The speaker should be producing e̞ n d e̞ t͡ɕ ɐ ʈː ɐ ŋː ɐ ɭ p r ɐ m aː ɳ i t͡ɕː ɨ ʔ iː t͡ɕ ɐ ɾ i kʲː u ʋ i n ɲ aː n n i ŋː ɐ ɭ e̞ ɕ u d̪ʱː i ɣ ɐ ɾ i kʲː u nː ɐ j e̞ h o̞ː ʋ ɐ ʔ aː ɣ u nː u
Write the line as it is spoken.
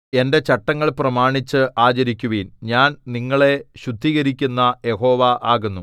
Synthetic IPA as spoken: e̞ n d e̞ t͡ɕ ɐ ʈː ɐ ŋː ɐ ɭ p r ɐ m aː ɳ i t͡ɕː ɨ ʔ aː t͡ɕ ɐ ɾ i kʲː u ʋ i n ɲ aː n n i ŋː ɐ ɭ e̞ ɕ u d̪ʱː i ɣ ɐ ɾ i kʲː u nː ɐ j e̞ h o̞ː ʋ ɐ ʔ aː ɣ u nː u

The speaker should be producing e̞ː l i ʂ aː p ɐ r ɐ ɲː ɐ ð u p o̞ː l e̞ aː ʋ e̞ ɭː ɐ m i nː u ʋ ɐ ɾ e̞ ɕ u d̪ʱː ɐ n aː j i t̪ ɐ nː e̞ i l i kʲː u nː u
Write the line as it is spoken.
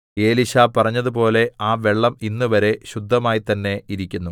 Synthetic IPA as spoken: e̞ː l i ɕ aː p ɐ r ɐ ɲː ɐ ð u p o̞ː l e̞ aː ʋ e̞ ɭː ɐ m i nː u ʋ ɐ ɾ e̞ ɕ u d̪ʱː ɐ m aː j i t̪ ɐ nː e̞ i ɾ i kʲː u nː u

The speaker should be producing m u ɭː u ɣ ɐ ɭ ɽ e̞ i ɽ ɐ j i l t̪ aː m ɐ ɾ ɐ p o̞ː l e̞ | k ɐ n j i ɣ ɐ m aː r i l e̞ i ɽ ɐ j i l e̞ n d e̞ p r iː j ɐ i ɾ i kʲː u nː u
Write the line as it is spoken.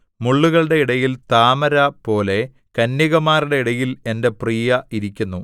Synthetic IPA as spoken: m u ɭː u ɣ ɐ ɭ ɽ e̞ i ɽ ɐ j i l t̪ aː m ɐ ɾ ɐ p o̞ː l e̞ | k ɐ n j i ɣ ɐ m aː r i ɽ e̞ i ɽ ɐ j i l e̞ n d e̞ p r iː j ɐ i ɾ i kʲː u nː u

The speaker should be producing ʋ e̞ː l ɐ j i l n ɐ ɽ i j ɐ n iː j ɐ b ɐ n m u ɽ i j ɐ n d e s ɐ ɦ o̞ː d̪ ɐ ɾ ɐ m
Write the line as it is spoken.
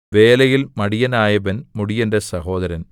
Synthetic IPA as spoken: ʋ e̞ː l ɐ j i l m ɐ ɽ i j ɐ n aː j ɐ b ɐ n m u ɽ i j ɐ n d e s ɐ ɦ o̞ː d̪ ɐ ɾ ɐ n

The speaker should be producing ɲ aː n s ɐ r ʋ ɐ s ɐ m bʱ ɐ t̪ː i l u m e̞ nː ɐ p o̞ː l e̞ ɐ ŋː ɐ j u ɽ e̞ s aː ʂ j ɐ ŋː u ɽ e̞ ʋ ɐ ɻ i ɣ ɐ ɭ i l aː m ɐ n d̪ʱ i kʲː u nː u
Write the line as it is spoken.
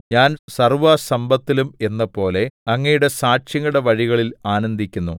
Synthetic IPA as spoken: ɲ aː n s ɐ r ʋ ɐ s ɐ m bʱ ɐ t̪ː i l u m e̞ nː ɐ p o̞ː l e̞ ɐ ŋː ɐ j u ɽ e̞ s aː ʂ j ɐ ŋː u ɽ e̞ ʋ ɐ ɻ i ɣ ɐ ɭ i l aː n ɐ n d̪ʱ i kʲː u nː u

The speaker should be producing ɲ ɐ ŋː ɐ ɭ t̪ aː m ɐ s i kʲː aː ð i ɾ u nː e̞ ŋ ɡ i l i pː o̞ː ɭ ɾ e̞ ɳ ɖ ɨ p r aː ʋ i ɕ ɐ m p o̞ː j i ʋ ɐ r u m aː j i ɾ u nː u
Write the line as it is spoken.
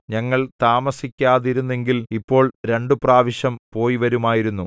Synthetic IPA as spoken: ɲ ɐ ŋː ɐ ɭ t̪ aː m ɐ s i kʲː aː ð i ɾ u nː e̞ ŋ ɡ i l i pː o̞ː ɭ ɾ e̞ ɳ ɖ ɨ p r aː ʋ i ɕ ɐ m p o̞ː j i ʋ ɐ ɾ u m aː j i ɾ u nː u

